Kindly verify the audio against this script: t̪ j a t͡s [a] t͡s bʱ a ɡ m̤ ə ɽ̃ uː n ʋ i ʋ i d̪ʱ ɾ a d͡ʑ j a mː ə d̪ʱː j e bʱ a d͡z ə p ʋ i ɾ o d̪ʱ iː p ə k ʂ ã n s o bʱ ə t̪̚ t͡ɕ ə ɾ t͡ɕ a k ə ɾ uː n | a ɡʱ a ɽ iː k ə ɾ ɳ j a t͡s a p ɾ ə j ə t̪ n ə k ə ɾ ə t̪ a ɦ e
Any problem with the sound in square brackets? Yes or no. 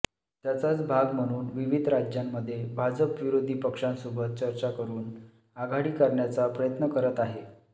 no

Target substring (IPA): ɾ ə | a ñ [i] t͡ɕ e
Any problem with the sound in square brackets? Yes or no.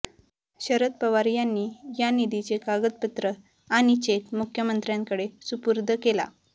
no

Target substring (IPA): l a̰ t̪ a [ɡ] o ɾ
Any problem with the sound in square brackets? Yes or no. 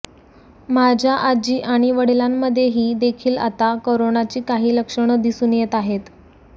yes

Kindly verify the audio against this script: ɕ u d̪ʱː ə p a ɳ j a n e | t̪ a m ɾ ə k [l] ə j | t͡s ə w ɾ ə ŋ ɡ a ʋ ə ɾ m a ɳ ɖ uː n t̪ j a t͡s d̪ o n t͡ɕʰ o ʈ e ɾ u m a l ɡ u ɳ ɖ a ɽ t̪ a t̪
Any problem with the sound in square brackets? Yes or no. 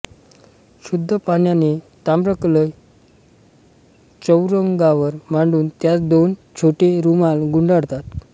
no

